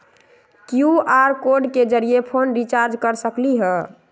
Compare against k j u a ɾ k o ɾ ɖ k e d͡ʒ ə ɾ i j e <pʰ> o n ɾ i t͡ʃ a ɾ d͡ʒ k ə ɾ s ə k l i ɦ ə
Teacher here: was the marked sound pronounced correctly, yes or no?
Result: yes